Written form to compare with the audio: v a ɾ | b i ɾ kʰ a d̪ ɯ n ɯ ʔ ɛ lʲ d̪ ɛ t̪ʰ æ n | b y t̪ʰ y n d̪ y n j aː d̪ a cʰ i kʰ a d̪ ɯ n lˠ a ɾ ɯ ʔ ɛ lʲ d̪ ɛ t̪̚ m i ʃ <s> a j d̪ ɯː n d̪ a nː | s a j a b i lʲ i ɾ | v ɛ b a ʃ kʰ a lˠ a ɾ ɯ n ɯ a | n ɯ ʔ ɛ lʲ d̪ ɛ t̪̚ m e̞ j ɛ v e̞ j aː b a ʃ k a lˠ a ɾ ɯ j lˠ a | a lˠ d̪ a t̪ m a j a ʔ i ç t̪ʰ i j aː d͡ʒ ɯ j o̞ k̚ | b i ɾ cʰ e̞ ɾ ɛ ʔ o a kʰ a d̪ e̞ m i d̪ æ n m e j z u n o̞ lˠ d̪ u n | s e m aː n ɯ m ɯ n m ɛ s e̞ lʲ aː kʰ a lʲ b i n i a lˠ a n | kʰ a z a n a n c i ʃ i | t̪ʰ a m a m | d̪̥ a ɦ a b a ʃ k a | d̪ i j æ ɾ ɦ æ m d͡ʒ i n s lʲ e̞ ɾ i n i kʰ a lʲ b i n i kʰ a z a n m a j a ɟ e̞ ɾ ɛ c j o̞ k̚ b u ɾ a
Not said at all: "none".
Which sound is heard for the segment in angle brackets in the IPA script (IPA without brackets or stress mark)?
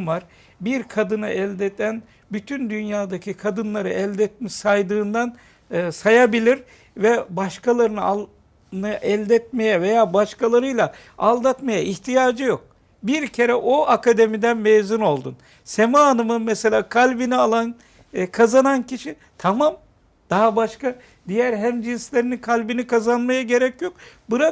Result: s